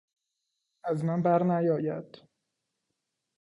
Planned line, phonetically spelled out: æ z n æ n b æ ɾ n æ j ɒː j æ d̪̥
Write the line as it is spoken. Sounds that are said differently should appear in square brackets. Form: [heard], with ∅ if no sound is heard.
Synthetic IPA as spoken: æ z [m] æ n b æ ɾ n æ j ɒː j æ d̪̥